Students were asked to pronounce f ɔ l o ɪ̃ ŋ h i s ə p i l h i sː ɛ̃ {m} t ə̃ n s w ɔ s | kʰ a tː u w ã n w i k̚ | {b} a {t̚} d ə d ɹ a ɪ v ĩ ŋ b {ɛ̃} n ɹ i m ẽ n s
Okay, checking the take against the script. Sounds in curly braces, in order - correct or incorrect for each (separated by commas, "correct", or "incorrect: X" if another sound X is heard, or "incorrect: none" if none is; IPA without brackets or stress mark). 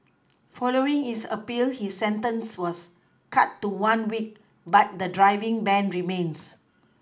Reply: incorrect: n, correct, correct, correct